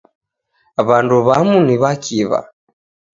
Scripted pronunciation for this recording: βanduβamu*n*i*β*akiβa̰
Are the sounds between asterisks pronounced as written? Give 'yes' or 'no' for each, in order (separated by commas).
yes, yes